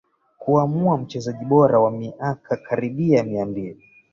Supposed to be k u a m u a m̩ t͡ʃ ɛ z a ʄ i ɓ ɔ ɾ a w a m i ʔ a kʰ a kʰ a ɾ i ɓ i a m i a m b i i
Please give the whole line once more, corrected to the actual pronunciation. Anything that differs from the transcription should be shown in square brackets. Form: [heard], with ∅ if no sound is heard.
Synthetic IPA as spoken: k u a m u a m̩ t͡ʃ ɛ z a ʄ i ɓ ɔ ɾ a w a m i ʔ a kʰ a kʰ a ɾ i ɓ i a m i a m b i i